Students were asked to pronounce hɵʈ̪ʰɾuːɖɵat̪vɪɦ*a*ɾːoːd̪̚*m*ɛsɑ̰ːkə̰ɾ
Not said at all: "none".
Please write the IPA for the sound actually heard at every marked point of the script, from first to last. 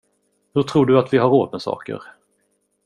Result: a, m

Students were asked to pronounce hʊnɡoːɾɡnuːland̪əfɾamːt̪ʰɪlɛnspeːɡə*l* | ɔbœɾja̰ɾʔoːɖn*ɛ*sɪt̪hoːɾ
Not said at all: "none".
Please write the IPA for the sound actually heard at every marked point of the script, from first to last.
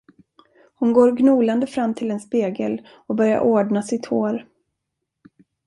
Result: l, a

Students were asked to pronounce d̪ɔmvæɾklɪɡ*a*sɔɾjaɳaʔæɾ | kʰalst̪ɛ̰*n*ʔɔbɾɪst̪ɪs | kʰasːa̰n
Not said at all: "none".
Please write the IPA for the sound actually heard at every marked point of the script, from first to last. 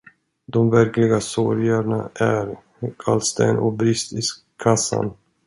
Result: a, n

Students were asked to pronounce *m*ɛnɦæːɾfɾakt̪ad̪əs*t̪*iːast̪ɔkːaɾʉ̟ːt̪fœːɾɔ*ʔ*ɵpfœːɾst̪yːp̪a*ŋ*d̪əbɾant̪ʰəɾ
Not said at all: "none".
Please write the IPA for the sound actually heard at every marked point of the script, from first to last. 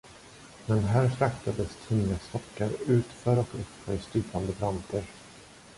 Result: m, t̪ʰ, k, n

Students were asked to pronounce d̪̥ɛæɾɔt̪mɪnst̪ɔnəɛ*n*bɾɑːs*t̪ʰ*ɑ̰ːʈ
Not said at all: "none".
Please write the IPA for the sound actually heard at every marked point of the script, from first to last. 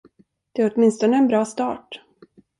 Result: n, t̪

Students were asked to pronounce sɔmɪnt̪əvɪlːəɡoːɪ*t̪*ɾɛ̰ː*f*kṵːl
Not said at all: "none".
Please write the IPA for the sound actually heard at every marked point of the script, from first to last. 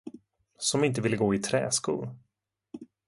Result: t̪ʰ, s

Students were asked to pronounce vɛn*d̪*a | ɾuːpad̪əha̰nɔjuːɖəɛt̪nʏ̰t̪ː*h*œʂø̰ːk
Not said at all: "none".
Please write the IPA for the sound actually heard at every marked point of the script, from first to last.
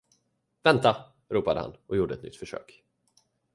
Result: t̪, f

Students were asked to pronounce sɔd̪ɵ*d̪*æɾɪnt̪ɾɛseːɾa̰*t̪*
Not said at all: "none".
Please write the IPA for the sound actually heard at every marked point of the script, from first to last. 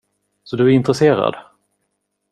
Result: none, d̪

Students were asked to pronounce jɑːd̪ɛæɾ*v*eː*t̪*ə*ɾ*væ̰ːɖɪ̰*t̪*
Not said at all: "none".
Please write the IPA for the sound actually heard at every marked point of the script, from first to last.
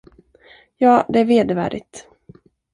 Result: v, d̪, none, t̪

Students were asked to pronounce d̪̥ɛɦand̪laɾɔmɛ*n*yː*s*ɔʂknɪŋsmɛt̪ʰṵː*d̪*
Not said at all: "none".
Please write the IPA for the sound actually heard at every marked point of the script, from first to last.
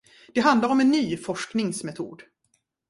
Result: nː, f, d̪

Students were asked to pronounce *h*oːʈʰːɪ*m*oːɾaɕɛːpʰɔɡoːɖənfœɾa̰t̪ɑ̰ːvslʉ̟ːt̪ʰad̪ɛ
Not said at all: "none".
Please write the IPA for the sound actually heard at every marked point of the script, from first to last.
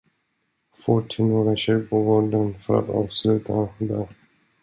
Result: f, n

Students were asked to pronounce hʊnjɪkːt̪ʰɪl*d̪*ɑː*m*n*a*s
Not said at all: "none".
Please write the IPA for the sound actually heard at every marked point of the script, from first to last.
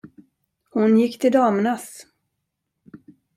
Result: d̪, m, a

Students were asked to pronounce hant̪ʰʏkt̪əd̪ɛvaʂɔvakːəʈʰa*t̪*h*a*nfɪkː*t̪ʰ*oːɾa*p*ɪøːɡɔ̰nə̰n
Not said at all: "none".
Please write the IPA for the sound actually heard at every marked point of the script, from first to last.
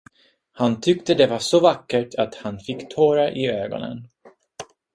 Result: t̪, a, t̪ʰ, ʔ

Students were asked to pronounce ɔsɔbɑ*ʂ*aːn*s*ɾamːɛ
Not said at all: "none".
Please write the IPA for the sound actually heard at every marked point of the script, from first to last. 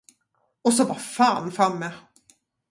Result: f, f

